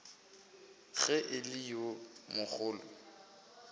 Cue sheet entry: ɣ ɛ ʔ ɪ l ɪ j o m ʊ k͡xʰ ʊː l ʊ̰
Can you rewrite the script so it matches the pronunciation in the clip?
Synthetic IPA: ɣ ɛ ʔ ɪ l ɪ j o m ʊ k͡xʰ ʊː l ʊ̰